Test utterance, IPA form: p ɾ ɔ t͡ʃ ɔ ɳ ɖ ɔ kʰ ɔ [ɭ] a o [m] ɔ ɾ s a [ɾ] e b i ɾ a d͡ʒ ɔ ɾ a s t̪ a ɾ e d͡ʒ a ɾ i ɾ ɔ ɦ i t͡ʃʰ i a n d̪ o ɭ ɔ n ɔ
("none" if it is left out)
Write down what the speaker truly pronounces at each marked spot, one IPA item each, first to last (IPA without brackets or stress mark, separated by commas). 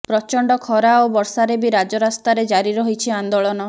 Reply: ɾ, b, ɾ